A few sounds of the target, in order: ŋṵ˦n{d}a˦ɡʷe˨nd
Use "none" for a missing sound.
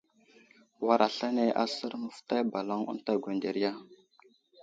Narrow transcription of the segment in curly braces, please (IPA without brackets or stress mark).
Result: t